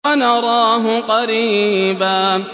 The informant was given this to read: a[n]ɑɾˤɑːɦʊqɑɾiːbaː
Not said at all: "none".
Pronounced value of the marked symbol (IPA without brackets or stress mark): n